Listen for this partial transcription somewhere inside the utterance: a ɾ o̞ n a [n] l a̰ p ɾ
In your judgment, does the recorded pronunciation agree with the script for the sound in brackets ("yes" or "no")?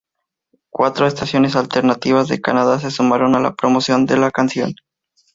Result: no